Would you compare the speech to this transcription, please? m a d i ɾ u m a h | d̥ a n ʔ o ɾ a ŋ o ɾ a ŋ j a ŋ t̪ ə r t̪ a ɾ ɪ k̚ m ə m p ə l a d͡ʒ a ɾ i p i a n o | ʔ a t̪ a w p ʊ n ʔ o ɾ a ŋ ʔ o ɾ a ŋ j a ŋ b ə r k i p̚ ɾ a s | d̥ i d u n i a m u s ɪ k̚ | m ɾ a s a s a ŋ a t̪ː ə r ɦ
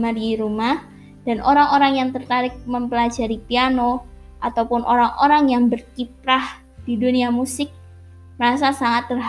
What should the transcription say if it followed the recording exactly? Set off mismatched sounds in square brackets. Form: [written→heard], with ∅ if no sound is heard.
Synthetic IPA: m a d i ɾ u m a h | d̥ a n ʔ o ɾ a ŋ o ɾ a ŋ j a ŋ t̪ ə r t̪ a ɾ ɪ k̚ m ə m p ə l a d͡ʒ a ɾ i p i a n o | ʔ a t̪ a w p ʊ n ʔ o ɾ a ŋ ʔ o ɾ a ŋ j a ŋ b ə r k i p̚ ɾ a [s→h] | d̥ i d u n i a m u s ɪ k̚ | m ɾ a s a s a ŋ a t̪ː ə r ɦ